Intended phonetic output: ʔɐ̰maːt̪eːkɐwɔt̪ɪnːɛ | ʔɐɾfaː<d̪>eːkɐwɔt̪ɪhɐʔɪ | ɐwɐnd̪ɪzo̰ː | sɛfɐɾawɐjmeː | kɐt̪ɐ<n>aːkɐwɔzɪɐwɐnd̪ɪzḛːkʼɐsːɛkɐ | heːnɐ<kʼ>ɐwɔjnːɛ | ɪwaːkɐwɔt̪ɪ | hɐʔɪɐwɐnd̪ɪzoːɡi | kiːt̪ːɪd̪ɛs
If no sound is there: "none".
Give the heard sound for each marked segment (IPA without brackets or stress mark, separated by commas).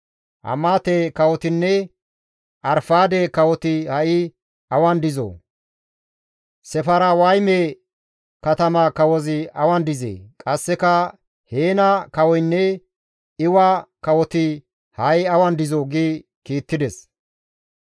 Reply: d̪, m, k